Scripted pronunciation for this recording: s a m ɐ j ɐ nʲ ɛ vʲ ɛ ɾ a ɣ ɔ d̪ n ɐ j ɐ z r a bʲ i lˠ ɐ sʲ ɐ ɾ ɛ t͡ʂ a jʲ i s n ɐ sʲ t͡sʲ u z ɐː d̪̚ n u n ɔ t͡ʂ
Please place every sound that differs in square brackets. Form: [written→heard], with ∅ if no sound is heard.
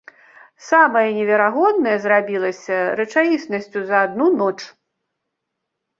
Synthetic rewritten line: s a m ɐ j ɐ nʲ ɛ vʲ ɛ ɾ a ɣ ɔ d̪ n ɐ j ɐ z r a bʲ i lˠ ɐ sʲ ɐ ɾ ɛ t͡ʂ a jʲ i s n ɐ sʲ t͡sʲ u z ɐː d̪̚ n u n ɔ t͡ʂ